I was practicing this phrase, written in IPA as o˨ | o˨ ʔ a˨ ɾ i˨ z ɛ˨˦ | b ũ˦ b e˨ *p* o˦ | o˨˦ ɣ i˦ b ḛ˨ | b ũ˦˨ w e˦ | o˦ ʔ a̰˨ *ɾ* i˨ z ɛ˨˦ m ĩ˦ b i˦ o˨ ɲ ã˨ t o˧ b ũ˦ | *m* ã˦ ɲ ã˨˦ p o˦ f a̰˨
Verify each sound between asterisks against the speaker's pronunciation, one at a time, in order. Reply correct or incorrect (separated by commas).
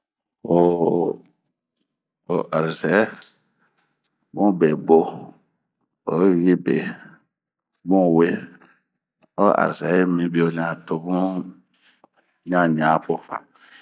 incorrect, correct, incorrect